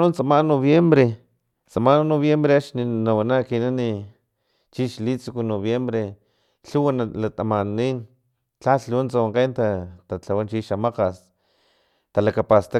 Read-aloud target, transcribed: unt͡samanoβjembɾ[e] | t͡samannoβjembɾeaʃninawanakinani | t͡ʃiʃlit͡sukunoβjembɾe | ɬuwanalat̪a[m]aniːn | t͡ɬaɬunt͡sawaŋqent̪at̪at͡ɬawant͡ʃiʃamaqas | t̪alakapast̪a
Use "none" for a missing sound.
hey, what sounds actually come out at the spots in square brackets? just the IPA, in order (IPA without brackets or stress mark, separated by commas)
e, m